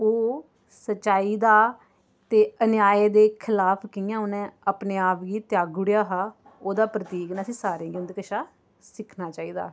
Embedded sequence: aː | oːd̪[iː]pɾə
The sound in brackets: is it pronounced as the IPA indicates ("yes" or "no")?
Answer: no